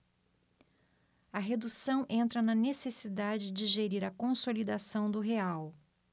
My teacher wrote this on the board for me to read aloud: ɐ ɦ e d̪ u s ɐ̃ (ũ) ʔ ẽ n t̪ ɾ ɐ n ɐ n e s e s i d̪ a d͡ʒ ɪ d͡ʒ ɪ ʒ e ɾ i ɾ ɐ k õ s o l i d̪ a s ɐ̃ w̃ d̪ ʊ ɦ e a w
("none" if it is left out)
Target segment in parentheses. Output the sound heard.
w̃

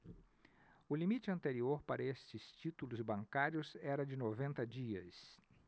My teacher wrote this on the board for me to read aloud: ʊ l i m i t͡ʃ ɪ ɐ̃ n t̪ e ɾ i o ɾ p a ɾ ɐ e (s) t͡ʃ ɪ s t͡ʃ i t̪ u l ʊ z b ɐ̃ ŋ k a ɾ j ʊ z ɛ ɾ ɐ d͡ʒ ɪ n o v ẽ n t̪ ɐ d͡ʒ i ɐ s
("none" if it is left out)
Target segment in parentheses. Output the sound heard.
s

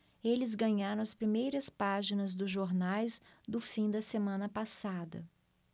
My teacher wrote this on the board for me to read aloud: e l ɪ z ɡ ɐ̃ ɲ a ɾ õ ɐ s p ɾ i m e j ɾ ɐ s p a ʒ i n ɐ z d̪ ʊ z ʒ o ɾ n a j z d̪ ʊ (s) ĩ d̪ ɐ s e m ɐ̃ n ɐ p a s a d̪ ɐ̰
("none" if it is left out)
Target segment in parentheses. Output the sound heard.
f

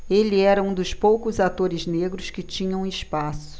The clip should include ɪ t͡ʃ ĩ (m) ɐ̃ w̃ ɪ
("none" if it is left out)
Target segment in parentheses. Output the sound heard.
ɲ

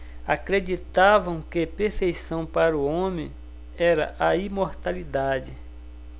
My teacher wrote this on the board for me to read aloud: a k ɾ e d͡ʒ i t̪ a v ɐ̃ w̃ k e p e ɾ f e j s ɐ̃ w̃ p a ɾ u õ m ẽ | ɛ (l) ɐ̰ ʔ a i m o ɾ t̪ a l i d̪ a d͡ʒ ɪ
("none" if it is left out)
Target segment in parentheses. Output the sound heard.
ɾ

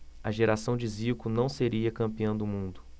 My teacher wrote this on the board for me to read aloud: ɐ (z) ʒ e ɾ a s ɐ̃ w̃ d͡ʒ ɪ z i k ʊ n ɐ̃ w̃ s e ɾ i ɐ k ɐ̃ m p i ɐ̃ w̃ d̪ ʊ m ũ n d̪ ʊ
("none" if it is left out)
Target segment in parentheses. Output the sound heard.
none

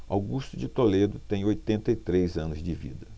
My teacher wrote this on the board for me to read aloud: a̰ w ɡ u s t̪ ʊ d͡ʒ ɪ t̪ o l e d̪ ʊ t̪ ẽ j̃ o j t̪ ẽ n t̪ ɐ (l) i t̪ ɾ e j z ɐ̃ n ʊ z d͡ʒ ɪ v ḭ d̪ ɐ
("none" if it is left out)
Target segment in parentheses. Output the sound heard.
none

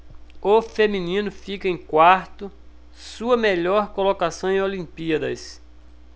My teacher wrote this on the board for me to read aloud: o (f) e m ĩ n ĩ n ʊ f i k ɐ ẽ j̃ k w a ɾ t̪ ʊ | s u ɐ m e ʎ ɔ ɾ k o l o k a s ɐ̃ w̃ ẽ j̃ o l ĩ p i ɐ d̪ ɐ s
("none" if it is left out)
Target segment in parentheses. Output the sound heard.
f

